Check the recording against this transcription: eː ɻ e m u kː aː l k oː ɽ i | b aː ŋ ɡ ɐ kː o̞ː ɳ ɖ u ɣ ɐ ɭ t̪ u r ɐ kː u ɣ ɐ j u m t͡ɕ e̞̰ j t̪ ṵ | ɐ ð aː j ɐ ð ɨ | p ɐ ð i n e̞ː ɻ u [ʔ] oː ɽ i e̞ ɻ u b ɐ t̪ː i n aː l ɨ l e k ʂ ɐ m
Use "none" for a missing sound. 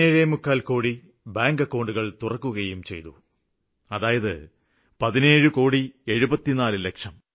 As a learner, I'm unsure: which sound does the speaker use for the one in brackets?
k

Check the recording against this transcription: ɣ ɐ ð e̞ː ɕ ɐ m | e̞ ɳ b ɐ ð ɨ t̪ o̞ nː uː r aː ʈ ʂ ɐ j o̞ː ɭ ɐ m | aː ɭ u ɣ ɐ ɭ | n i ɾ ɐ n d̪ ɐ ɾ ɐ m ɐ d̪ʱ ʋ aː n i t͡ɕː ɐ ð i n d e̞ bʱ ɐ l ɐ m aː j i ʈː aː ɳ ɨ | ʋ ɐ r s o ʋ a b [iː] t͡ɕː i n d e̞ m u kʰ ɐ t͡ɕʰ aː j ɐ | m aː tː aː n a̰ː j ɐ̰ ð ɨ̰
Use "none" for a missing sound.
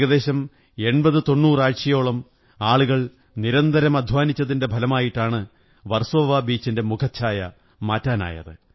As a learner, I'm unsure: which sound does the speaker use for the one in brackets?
iː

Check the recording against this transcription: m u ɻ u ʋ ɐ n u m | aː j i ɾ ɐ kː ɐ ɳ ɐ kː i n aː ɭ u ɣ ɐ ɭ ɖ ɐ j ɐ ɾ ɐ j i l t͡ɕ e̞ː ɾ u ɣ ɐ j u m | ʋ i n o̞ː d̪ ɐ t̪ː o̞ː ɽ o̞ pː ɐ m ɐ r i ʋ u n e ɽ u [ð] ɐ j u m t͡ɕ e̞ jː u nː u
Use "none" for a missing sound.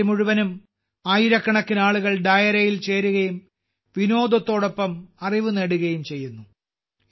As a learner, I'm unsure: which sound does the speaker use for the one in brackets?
ɣ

